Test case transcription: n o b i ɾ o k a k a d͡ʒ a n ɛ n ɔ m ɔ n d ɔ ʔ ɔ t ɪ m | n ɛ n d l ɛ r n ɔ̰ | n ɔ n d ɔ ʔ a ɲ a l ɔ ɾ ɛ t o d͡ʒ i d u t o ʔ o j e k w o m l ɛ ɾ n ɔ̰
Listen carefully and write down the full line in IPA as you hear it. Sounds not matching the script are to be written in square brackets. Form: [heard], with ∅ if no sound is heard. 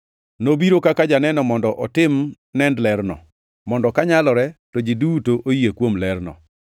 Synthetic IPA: n o b i ɾ o k a k a d͡ʒ a n ɛ n ɔ m ɔ n d ɔ ʔ ɔ t ɪ m | n ɛ n d l ɛ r n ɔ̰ | [m] ɔ n d ɔ [k] a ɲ a l ɔ ɾ ɛ t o d͡ʒ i d u t o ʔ o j e k w o m l ɛ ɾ n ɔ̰